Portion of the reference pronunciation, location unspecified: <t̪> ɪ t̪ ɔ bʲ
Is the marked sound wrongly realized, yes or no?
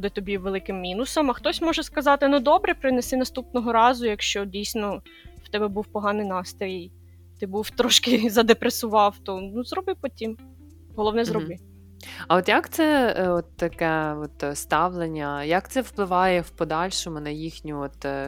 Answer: yes